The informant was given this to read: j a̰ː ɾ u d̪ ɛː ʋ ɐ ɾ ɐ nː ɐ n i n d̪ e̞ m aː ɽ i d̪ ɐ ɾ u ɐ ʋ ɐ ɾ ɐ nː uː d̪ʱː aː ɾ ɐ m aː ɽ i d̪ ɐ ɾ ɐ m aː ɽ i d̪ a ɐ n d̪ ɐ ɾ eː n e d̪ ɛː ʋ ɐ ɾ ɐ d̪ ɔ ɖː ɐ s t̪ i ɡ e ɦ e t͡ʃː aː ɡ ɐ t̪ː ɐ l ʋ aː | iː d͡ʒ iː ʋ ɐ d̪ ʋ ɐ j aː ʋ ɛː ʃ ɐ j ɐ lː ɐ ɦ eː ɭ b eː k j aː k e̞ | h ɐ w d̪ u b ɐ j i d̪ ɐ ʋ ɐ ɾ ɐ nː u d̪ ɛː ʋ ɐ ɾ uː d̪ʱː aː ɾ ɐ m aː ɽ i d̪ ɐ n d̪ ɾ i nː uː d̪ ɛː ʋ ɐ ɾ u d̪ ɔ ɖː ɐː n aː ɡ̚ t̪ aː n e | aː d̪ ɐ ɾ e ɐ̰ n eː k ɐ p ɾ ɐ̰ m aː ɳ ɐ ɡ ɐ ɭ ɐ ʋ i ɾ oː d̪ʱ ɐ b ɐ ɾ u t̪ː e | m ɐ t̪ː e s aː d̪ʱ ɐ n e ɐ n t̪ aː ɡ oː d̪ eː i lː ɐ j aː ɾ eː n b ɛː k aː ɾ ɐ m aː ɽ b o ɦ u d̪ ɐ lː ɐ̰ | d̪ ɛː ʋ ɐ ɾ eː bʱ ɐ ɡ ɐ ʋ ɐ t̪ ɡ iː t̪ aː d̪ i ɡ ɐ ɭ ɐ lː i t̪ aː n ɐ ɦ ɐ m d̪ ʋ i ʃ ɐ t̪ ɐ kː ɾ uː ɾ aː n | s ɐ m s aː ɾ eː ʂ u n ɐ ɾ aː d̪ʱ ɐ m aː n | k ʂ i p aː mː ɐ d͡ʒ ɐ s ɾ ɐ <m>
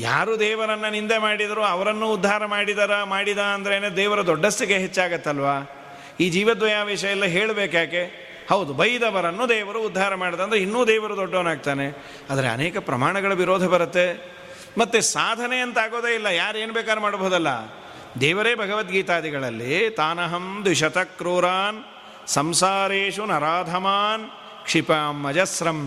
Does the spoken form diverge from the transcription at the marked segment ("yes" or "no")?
no